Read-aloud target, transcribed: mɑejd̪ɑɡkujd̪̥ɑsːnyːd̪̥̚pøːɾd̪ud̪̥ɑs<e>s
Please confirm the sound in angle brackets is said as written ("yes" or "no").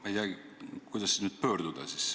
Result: no